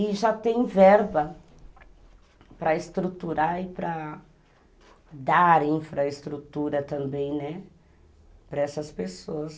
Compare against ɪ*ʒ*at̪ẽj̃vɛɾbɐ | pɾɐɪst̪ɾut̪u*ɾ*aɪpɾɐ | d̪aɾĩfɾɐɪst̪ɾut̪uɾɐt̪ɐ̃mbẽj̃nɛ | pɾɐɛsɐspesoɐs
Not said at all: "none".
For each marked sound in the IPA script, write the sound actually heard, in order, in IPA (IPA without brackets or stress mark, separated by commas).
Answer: ʒ, ɾ